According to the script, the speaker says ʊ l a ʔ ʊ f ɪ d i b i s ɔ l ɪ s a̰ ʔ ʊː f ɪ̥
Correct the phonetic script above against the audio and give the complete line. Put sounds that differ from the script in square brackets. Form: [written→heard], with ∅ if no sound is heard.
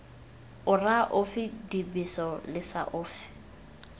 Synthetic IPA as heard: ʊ [l→r] a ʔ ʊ f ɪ d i b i s ɔ l ɪ s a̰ ʔ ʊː f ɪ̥